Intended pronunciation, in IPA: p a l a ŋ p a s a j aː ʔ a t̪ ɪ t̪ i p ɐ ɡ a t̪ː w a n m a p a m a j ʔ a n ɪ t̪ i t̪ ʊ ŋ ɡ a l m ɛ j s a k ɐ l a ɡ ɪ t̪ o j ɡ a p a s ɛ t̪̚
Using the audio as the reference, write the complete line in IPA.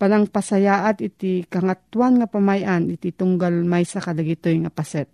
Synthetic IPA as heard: p a l a ŋ p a s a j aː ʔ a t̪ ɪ t̪ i k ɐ ŋ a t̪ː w a n ŋ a p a m a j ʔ a n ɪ t̪ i t̪ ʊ ŋ ɡ a l m a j s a k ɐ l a ɡ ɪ t̪ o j ŋ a p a s ɛ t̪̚